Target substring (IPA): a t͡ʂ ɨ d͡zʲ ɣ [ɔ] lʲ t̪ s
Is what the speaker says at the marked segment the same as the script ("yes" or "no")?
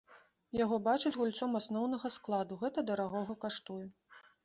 no